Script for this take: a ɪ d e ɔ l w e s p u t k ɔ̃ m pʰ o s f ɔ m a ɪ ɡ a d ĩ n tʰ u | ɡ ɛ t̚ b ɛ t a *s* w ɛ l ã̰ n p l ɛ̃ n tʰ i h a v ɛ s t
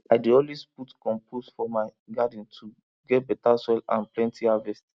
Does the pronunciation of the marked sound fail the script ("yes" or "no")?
no